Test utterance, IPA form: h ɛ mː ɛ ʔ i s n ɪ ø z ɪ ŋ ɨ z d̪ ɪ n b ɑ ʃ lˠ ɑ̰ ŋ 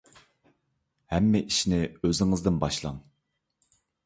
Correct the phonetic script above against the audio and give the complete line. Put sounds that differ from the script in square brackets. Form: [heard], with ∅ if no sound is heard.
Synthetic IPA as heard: h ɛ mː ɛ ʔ i [ʃ] n ɪ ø z ɪ ŋ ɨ z d̪ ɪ n b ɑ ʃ lˠ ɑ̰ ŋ